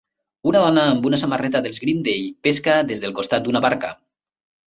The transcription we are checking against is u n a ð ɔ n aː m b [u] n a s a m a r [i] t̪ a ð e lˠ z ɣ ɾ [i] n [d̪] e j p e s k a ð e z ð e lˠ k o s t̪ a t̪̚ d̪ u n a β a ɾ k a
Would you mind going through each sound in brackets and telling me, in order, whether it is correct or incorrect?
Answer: correct, incorrect: ɛ, correct, correct

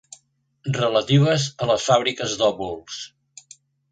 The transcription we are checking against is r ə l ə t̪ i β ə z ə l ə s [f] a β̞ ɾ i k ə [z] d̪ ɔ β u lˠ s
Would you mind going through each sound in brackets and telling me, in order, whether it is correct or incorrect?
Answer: correct, correct

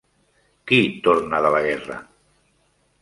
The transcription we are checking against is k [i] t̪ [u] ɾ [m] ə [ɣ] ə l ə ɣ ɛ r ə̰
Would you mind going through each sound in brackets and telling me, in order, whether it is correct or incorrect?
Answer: correct, incorrect: o, incorrect: n, incorrect: ð

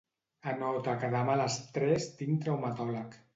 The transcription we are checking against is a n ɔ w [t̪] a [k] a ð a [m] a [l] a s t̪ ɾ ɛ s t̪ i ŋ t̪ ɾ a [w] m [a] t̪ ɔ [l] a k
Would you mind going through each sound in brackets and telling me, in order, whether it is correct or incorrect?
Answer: correct, correct, correct, correct, correct, correct, correct

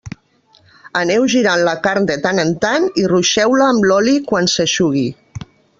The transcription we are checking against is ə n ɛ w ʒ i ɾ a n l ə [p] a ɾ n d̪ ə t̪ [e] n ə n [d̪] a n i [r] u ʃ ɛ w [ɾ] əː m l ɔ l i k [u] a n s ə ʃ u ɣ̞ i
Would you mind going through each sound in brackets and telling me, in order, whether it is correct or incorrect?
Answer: incorrect: k, incorrect: a, incorrect: t̪, correct, incorrect: l, incorrect: w

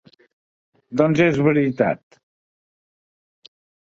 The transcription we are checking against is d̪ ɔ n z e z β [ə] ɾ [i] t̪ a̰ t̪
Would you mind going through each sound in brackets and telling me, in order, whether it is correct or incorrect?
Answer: correct, correct

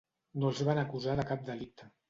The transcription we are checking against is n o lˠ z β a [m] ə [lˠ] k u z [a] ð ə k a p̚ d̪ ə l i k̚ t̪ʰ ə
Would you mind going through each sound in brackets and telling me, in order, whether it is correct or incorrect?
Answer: incorrect: n, incorrect: none, correct

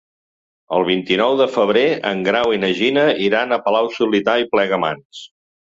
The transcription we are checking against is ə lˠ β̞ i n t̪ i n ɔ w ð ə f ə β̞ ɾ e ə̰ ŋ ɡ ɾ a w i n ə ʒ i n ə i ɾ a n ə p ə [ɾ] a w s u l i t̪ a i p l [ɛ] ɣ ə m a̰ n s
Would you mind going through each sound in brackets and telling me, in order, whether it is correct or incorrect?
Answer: incorrect: l, correct

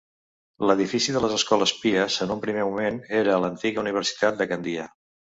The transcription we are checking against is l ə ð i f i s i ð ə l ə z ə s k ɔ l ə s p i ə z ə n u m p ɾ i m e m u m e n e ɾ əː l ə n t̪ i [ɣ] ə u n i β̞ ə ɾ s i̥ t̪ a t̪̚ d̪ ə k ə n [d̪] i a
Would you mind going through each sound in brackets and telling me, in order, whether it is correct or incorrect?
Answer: correct, correct

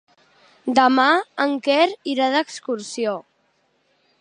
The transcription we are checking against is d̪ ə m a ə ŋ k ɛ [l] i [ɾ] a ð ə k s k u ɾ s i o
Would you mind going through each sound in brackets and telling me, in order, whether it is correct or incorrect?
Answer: incorrect: ɾ, correct

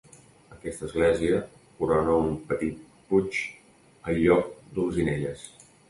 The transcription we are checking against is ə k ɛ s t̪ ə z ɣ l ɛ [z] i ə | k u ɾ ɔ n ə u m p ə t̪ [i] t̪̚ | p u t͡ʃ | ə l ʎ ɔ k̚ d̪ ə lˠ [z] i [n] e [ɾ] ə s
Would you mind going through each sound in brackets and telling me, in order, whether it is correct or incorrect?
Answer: correct, correct, correct, correct, incorrect: ʎ

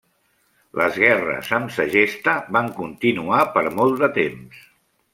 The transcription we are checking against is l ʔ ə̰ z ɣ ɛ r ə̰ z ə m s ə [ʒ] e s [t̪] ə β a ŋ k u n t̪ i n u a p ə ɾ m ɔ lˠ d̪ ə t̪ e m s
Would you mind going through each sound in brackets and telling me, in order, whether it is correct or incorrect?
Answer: correct, correct

